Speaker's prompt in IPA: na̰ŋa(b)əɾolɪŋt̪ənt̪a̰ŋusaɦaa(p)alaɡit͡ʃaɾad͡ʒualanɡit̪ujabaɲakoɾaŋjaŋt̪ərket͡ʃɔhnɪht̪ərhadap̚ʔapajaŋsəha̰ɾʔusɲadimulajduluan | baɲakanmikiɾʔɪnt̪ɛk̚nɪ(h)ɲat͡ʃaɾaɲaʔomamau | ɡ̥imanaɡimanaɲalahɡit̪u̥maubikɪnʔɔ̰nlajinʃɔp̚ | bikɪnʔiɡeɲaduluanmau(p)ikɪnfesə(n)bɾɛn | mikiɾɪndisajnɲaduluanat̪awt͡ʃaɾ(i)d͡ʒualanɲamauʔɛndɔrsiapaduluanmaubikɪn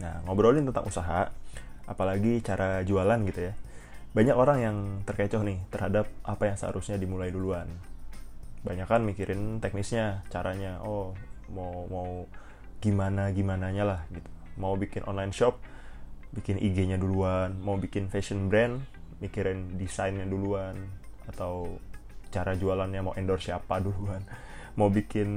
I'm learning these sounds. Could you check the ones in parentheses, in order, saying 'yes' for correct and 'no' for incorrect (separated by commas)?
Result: yes, yes, no, no, yes, no